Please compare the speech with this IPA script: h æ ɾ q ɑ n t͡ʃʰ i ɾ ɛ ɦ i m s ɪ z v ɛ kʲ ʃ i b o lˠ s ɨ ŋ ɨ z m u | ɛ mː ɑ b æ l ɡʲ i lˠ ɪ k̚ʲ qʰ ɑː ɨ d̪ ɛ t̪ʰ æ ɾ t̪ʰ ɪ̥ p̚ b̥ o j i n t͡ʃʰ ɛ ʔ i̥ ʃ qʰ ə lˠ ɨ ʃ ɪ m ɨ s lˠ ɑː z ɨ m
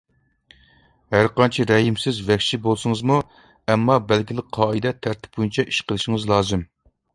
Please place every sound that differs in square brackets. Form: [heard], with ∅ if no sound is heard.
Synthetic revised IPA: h æ ɾ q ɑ n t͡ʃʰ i ɾ ɛ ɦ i m s ɪ z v ɛ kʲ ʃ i b o lˠ s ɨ ŋ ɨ z m u | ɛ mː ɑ b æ l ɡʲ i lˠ ɪ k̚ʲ qʰ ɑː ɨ d̪ ɛ t̪ʰ æ ɾ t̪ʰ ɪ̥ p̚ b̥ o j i n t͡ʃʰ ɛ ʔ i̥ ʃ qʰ ə lˠ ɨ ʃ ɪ [ŋ] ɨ [z] lˠ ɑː z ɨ m